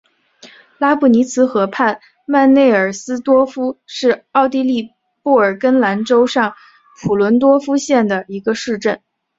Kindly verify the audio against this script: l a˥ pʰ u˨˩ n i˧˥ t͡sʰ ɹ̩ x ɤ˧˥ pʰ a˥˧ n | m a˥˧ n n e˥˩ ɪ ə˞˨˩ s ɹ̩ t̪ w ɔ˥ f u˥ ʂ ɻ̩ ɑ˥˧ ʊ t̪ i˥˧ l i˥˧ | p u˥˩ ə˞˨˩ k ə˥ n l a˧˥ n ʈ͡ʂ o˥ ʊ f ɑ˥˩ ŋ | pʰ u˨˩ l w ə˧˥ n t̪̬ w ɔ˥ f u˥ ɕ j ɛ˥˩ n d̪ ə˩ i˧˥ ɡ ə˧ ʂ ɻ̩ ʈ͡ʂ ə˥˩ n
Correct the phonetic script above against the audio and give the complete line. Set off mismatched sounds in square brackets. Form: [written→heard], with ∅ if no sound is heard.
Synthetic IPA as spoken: l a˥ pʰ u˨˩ n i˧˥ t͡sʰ ɹ̩ x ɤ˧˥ pʰ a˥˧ n | m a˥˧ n n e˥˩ ɪ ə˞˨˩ s ɹ̩ t̪ w ɔ˥ f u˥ ʂ ɻ̩ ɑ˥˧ ʊ t̪ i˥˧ l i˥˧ | p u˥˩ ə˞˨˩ k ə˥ n l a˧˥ n ʈ͡ʂ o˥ ʊ [f→ʂ] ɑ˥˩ ŋ | pʰ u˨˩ l w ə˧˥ n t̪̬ w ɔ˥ f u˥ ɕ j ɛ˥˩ n d̪ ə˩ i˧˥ ɡ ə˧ ʂ ɻ̩ ʈ͡ʂ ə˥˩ n